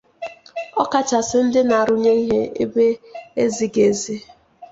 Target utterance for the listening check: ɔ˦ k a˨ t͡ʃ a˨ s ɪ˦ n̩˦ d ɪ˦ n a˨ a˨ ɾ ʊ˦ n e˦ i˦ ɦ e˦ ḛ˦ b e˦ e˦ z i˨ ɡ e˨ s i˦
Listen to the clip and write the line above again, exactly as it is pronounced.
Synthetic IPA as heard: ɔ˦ k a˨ t͡ʃ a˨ s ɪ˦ n̩˦ d ɪ˦ n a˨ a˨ ɾ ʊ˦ ɲ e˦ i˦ ɦ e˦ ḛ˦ b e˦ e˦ z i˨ ɡ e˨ z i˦